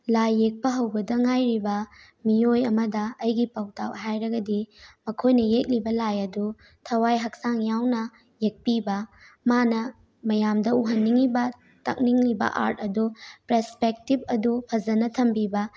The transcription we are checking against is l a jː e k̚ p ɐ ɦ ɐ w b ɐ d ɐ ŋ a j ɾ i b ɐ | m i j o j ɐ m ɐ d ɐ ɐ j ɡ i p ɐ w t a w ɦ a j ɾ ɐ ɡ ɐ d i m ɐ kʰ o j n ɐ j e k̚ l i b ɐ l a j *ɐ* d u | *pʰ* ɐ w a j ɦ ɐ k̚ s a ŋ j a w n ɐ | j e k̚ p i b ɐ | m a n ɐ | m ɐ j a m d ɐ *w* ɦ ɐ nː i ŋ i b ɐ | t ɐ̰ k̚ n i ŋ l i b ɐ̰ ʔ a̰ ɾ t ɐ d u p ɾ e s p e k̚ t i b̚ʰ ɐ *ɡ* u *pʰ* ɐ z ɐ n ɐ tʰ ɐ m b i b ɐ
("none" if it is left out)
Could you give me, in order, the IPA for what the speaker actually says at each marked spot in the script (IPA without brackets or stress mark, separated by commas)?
ɐ, tʰ, u, d, pʰ